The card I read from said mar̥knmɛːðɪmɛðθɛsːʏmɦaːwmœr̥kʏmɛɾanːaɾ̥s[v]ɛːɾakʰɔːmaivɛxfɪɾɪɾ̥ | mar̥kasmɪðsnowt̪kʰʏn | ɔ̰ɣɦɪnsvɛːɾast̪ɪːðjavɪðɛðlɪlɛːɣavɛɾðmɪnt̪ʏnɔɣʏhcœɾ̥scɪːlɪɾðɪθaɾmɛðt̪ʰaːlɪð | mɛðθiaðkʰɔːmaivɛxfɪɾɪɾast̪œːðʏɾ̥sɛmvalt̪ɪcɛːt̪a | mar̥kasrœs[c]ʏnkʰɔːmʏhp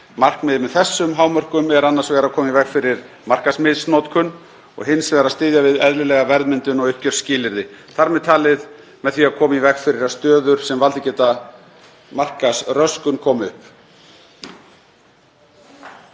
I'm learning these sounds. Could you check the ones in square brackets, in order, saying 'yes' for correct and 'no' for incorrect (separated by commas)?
yes, no